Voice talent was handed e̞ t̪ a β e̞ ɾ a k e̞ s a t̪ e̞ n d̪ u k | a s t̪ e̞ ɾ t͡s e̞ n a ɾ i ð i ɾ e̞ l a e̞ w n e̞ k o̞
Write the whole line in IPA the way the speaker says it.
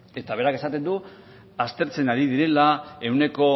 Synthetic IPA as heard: e̞ t̪ a β e̞ ɾ a k e̞ s a t̪ e̞ n d̪ u | a s t̪ e̞ ɾ t͡s e̞ n a ɾ i ð i ɾ e̞ l a e̞ w n e̞ k o̞